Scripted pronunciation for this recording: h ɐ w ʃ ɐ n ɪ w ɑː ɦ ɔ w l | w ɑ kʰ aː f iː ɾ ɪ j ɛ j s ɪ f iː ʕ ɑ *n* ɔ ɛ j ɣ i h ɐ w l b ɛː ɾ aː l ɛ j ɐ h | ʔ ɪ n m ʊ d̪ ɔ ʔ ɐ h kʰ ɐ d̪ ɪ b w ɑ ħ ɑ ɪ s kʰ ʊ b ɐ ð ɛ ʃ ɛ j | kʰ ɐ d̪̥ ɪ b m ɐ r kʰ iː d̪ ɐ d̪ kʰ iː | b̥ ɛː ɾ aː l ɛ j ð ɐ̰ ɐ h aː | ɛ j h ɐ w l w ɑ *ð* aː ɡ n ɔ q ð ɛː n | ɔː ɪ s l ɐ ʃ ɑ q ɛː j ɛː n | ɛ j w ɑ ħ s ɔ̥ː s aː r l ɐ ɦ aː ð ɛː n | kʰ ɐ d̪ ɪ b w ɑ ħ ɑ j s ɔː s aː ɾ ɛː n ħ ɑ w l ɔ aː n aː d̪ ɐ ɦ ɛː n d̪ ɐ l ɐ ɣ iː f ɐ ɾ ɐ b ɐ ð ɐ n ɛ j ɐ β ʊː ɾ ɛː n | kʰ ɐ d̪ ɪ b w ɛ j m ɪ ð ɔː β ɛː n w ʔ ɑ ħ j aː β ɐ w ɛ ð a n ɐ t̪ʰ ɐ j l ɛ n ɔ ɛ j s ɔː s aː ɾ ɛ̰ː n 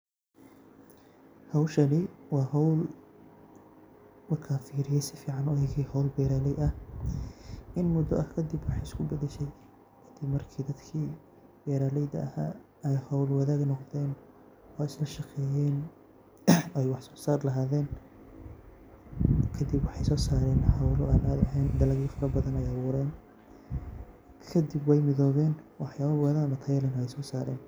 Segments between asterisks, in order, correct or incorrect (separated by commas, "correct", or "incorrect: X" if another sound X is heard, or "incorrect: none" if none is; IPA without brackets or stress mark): correct, correct